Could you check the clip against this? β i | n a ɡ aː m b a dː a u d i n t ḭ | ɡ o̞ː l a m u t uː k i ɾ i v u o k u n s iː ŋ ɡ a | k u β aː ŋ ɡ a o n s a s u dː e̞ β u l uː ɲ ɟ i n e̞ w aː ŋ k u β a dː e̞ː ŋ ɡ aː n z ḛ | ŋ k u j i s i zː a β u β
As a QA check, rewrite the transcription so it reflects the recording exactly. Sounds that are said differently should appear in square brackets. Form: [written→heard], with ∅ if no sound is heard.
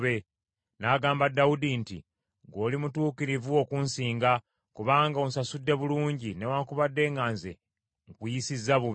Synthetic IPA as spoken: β [i→e] | n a ɡ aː m b a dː a u d i n t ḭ | ɡ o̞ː l [a→i] m u t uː k i ɾ i v u o k u n s iː ŋ ɡ a | k u β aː ŋ ɡ a o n s a s u dː e̞ β u l uː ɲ ɟ i n e̞ w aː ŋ k u β a dː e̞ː ŋ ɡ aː n z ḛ | ŋ k u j i s i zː a β u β